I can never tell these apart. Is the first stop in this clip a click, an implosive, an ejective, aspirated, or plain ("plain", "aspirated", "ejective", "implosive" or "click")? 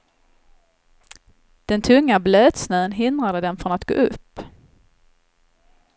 plain